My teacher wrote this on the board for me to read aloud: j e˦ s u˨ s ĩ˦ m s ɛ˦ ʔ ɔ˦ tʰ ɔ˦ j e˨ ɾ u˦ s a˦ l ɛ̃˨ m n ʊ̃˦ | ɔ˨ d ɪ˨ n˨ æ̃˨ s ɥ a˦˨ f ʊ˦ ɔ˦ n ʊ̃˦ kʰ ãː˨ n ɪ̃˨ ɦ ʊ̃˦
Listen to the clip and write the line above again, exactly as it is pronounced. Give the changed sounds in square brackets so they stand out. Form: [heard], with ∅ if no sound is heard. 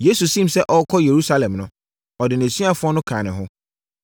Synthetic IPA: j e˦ s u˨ s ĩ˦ m s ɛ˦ ʔ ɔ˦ [kʰ] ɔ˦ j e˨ ɾ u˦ s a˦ l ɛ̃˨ m n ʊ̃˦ | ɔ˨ d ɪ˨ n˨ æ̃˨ s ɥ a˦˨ f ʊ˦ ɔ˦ n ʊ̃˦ kʰ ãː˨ n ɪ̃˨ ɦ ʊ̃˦